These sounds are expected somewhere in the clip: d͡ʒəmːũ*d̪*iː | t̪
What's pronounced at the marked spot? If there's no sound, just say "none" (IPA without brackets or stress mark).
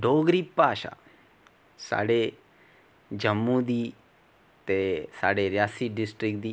d̪